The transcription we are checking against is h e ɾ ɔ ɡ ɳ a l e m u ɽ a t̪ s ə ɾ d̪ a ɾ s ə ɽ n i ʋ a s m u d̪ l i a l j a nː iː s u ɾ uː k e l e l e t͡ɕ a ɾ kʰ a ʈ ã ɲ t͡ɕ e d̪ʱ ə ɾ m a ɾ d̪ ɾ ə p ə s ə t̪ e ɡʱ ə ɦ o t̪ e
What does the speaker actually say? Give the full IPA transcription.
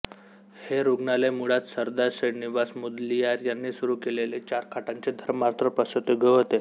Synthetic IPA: h e ɾ u ɡ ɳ a l e m u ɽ a t̪ s ə ɾ d̪ a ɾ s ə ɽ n i ʋ a s m u d̪ l i a ɾ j a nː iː s u ɾ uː k e l e l e t͡ɕ a ɾ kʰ a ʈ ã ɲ t͡ɕ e d̪ʱ ə ɾ m a ɾ t̪ ɾ ə p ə s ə t̪ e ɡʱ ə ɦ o t̪ e